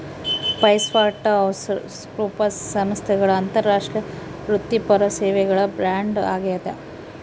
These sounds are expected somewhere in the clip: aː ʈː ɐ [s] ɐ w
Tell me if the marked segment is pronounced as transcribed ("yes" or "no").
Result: no